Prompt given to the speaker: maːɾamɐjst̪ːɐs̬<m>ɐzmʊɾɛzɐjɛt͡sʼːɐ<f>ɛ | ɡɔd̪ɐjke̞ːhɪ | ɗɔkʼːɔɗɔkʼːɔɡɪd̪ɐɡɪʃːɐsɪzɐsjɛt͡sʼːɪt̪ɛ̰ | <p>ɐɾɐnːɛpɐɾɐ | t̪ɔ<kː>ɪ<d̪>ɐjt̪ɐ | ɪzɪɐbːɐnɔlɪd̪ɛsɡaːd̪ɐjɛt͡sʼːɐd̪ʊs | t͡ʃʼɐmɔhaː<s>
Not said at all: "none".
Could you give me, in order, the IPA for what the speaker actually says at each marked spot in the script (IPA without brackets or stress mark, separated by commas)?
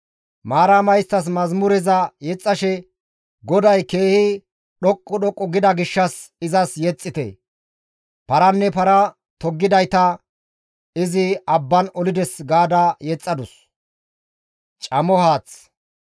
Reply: m, ʃ, p, ɡː, d̪, t͡s